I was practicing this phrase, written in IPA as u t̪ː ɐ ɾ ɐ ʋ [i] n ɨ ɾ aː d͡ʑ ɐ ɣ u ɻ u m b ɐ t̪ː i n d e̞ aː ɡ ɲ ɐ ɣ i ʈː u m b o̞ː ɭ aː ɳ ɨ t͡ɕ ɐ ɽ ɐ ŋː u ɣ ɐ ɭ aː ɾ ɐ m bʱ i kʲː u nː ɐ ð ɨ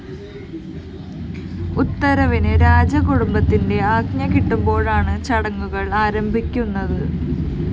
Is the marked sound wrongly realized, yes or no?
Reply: no